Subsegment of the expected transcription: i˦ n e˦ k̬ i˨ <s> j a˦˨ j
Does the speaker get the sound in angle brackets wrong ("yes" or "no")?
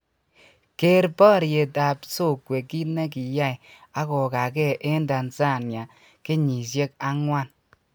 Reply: yes